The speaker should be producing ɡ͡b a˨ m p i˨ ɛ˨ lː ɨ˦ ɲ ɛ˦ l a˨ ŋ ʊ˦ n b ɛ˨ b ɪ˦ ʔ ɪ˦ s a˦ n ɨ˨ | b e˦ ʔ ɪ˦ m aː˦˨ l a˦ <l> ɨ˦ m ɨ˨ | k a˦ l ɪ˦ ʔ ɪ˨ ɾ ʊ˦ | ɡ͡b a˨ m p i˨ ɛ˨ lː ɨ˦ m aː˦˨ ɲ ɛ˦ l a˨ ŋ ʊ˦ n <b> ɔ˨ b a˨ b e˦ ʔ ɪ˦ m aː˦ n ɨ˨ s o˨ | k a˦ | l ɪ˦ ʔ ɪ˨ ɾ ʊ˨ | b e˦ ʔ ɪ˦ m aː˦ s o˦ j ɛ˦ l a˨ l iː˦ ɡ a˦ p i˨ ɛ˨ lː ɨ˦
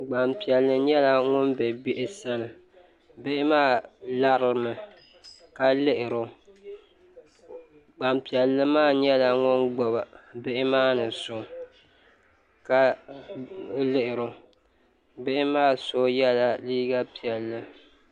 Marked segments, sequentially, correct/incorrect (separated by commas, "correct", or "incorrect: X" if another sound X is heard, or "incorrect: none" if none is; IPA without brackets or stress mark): incorrect: ɾ, incorrect: ɡ͡b